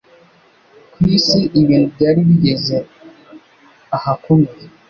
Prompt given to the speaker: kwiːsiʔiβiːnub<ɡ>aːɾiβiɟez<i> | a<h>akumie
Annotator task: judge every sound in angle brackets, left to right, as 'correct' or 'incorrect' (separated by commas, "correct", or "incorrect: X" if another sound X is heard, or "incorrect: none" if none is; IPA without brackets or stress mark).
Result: incorrect: ɟ, incorrect: e, correct